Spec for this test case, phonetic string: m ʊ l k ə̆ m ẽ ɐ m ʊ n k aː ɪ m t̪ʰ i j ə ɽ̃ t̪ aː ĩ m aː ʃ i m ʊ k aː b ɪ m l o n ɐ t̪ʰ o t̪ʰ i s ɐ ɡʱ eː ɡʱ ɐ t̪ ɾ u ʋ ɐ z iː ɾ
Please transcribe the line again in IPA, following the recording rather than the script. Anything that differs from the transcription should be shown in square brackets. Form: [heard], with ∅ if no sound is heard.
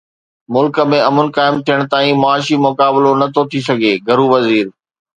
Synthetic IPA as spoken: m ʊ l k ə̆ m ẽ ɐ m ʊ n k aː ɪ m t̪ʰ i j ə ɽ̃ t̪ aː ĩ m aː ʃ i m ʊ k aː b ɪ [∅] l o n ɐ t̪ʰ o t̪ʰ i s ɐ ɡʱ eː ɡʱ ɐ [∅] ɾ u ʋ ɐ z iː ɾ